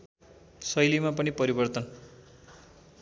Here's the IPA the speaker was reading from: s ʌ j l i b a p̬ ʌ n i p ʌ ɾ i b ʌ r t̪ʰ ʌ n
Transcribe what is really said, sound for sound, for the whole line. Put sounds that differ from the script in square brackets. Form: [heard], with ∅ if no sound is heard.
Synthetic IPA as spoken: s ʌ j l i [m] a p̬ ʌ n i p ʌ ɾ i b ʌ r [t̪] ʌ n